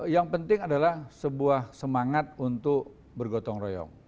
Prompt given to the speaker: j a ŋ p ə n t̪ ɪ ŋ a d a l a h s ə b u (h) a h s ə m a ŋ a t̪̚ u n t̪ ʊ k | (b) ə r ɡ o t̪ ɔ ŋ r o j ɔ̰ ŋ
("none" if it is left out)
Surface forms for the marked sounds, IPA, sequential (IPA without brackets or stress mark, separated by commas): none, b